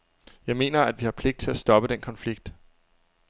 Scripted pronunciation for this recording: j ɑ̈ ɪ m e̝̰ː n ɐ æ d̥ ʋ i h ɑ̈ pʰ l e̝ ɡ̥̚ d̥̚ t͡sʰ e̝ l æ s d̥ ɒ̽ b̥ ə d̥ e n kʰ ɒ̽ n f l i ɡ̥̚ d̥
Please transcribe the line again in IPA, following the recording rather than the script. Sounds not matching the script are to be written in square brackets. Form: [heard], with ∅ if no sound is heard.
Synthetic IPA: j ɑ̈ ɪ m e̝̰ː n ɐ æ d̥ ʋ i h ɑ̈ pʰ l e̝ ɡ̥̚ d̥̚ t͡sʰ e̝ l æ s d̥ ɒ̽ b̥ ə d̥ e n kʰ ɒ̽ n f l i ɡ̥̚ d̥